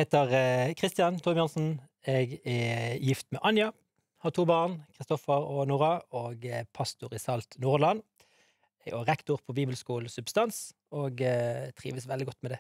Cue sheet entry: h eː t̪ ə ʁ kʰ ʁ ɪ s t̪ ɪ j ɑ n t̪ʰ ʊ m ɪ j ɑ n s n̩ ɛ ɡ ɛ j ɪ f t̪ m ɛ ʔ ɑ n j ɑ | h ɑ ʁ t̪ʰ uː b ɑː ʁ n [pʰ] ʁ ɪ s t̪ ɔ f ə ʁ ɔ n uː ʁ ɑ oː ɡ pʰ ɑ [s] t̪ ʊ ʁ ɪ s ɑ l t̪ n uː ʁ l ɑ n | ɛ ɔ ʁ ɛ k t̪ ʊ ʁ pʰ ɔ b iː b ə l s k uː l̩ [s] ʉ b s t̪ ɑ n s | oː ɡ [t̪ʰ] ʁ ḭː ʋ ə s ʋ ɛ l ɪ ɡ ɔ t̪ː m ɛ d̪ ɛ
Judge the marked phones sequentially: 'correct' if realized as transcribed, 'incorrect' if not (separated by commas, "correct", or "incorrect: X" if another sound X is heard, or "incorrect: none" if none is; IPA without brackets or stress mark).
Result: incorrect: kʰ, correct, correct, correct